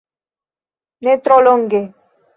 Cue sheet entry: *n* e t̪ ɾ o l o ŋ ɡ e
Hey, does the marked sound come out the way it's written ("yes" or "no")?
yes